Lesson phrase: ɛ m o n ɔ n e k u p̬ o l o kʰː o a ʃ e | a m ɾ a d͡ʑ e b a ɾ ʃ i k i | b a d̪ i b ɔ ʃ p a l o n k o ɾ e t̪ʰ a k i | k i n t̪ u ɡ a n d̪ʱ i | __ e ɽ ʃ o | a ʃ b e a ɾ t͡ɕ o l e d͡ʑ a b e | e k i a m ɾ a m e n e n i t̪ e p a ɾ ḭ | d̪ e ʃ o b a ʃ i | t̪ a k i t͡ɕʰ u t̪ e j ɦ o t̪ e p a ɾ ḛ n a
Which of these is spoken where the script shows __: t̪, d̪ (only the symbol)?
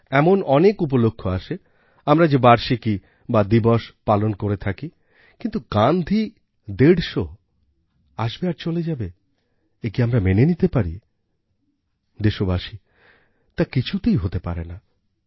d̪